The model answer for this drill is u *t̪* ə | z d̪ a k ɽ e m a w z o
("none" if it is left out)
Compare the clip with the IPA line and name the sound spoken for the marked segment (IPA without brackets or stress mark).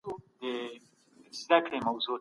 d̪